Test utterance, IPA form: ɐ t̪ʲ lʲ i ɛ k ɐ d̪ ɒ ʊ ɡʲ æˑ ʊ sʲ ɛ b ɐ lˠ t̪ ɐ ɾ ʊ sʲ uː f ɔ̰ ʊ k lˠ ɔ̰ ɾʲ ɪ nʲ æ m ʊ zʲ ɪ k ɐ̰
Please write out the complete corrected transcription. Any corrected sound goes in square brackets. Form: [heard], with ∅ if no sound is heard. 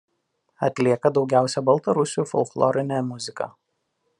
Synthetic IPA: ɐ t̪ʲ lʲ i ɛ k ɐ d̪ ɒ ʊ ɡʲ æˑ ʊ sʲ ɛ b ɐ lˠ t̪ ɐ ɾ ʊ sʲ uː f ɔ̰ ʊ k lˠ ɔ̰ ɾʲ ɪ nʲ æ m ʊ zʲ ɪ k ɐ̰